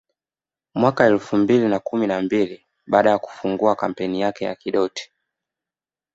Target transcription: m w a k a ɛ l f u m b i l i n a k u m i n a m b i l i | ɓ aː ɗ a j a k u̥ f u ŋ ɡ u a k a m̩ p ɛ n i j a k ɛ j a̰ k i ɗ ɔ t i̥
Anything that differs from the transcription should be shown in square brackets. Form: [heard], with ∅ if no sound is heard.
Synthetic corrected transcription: m w a k a ɛ l f u m b i l i n a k u m i n a m b i l i | ɓ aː ɗ a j a k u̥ f u ŋ ɡ u a k a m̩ p ɛ n i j a k ɛ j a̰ k i ɗ ɔ t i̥